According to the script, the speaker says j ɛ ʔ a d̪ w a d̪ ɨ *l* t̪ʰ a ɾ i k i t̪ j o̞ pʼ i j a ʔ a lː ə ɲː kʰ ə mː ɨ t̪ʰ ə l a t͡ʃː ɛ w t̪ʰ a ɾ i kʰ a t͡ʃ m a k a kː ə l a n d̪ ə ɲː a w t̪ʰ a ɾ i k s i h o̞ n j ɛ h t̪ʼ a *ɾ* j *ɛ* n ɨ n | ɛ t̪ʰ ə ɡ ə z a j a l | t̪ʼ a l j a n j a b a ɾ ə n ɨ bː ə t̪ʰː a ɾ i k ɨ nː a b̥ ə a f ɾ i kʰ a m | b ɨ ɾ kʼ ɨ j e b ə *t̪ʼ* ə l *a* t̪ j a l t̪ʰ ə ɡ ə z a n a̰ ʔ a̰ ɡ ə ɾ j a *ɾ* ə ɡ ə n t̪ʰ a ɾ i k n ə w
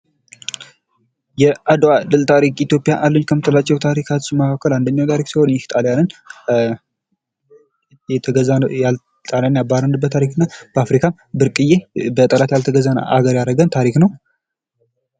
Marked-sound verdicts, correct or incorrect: correct, incorrect: l, incorrect: a, correct, correct, correct

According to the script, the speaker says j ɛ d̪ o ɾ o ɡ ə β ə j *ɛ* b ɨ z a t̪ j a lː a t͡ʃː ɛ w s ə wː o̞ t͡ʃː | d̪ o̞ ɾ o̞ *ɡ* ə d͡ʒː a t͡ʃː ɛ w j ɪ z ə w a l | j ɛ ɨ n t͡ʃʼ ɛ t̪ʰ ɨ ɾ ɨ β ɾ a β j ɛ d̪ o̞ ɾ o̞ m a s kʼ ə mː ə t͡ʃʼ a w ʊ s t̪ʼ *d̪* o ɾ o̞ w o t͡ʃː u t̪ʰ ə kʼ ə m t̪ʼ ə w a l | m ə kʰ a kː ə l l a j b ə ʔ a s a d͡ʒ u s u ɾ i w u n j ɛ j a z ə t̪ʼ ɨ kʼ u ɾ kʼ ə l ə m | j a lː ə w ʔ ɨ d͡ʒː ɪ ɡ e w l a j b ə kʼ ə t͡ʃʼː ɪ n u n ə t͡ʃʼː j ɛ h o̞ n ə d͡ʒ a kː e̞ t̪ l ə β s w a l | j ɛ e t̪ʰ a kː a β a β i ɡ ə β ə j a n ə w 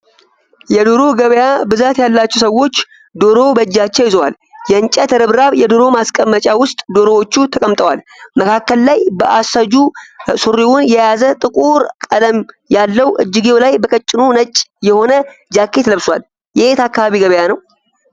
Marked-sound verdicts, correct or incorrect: incorrect: a, incorrect: b, correct

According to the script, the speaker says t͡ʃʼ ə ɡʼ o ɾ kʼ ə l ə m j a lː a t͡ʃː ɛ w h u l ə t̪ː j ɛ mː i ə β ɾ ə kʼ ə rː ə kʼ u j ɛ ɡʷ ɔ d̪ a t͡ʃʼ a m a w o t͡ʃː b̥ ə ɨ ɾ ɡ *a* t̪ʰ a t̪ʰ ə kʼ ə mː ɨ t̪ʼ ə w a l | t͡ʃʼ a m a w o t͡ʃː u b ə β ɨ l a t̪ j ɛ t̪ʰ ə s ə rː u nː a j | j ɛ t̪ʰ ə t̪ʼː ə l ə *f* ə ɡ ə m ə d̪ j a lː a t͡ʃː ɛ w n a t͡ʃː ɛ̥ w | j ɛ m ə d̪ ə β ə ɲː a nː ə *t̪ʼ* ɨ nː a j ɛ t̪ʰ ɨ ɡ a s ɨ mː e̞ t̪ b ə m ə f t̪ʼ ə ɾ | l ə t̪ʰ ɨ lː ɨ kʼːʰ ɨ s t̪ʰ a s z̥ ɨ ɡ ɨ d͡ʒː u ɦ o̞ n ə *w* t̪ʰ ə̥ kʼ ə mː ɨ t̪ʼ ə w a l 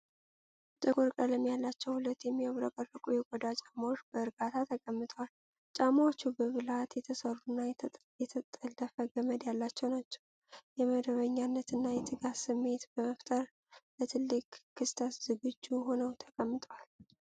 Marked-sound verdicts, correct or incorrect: correct, correct, incorrect: t̪, correct

